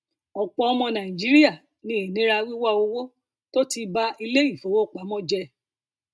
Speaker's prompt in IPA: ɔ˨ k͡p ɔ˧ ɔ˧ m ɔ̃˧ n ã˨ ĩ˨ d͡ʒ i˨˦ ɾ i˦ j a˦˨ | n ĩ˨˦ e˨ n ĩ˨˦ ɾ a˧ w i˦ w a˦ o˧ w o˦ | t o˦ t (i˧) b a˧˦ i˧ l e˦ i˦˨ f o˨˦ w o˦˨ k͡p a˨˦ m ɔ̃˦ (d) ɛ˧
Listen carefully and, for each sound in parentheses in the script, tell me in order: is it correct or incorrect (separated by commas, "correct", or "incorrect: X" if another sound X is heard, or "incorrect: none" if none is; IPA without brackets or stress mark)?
correct, incorrect: d͡ʒ